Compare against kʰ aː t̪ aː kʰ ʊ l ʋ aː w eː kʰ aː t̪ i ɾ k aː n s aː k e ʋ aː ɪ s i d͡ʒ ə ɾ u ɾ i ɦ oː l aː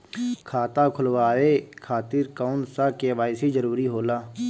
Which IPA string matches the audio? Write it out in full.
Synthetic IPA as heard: kʰ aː t̪ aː kʰ ʊ l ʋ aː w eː kʰ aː t̪ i ɾ k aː n s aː k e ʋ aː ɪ s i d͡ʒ ə ɾ uː ɾ i ɦ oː l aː